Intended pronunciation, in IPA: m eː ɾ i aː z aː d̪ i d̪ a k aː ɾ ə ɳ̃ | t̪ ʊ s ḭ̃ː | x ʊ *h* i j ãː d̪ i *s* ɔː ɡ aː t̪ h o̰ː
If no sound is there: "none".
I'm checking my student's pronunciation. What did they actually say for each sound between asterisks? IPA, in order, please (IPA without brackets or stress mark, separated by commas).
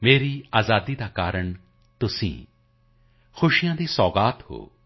ʃ, s